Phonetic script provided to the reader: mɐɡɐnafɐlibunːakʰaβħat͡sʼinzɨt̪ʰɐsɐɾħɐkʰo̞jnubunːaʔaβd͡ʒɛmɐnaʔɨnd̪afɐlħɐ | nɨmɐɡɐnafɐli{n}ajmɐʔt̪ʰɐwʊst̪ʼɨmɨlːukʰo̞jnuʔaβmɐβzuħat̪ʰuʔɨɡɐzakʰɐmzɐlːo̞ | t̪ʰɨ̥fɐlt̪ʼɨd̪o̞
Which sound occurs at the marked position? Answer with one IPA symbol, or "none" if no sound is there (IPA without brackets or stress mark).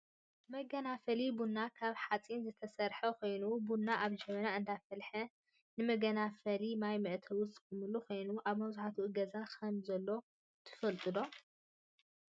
m